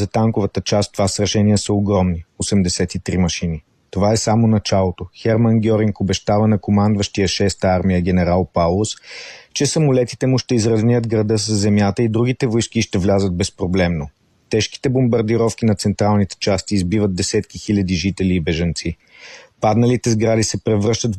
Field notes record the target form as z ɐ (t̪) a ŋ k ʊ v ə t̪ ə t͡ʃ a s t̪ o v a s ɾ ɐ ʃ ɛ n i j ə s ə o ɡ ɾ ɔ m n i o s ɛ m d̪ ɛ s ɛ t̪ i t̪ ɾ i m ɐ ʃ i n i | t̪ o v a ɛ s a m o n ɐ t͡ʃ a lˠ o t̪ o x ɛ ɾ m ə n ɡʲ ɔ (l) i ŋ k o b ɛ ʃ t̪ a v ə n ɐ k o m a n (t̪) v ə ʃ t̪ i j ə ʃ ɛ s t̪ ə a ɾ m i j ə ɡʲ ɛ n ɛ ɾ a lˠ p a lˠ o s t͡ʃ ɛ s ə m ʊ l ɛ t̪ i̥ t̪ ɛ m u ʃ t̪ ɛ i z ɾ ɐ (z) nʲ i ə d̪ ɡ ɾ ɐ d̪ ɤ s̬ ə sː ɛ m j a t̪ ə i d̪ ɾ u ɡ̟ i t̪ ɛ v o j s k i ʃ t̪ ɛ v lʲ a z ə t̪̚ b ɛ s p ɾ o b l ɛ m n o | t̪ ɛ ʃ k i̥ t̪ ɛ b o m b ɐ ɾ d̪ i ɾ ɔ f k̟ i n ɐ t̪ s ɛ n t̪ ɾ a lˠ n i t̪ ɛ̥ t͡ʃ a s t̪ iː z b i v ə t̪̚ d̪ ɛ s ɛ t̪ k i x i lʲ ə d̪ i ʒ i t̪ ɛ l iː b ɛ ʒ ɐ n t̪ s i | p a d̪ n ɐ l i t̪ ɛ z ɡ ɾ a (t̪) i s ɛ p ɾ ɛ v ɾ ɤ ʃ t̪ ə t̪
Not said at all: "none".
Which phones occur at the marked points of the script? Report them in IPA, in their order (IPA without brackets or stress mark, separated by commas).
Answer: t̪, ɾ, d̪, z, d̪